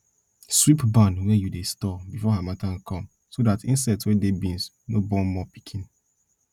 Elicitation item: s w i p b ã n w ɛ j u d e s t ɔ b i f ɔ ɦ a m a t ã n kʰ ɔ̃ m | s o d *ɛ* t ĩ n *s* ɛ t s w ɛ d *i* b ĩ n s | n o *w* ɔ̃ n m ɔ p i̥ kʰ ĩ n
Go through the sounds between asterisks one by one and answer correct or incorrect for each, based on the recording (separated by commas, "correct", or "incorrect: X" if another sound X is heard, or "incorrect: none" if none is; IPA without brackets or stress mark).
incorrect: a, correct, incorrect: e, incorrect: b